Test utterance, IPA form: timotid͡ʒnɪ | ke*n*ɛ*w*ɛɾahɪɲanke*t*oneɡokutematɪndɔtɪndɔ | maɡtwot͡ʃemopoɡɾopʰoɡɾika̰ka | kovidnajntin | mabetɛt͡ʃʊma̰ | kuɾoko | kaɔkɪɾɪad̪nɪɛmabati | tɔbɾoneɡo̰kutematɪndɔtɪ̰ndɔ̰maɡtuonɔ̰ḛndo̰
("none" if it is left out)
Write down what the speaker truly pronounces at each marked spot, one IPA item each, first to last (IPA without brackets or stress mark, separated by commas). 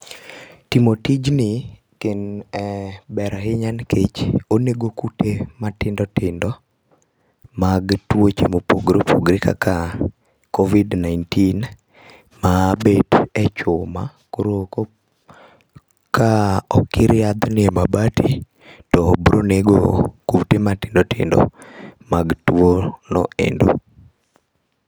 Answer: n, b, t͡ʃ